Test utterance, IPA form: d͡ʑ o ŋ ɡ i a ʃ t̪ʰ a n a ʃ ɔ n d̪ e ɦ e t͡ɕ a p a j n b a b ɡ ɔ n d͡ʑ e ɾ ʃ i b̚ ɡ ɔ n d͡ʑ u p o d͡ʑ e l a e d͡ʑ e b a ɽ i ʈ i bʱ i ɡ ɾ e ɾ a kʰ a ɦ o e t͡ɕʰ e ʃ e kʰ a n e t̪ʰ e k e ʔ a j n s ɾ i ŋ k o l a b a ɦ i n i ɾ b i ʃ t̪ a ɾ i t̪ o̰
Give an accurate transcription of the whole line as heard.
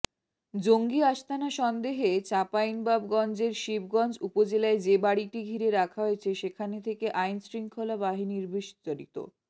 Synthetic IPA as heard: d͡ʑ o ŋ ɡ i a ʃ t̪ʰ a n a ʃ ɔ n d̪ e ɦ e t͡ɕ a p a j n b a b ɡ ɔ n d͡ʑ e ɾ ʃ i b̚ ɡ ɔ n d͡ʑ u p o d͡ʑ e l a e d͡ʑ e b a ɽ i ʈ i ɡʱ i ɾ e ɾ a kʰ a ɦ o e t͡ɕʰ e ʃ e kʰ a n e t̪ʰ e k e ʔ a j n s ɾ i ŋ kʰ o l a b a ɦ i n i ɾ b i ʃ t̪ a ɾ i t̪ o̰